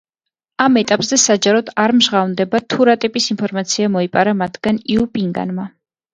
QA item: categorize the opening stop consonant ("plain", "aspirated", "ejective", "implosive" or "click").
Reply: ejective